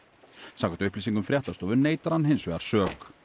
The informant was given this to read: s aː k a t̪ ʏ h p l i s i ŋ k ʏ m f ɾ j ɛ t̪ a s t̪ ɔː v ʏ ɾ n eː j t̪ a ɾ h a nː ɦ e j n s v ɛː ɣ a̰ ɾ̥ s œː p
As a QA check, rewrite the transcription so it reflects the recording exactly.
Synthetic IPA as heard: s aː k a t̪ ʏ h p l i s i ŋ k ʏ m f ɾ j ɛ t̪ a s t̪ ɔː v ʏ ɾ n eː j t̪ a ɾ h a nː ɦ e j n s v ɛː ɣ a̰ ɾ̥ s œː k